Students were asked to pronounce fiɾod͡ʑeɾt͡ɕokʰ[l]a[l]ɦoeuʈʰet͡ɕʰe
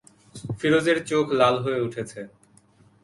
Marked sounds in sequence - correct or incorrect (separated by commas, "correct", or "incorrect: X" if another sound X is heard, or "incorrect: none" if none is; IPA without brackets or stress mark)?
correct, correct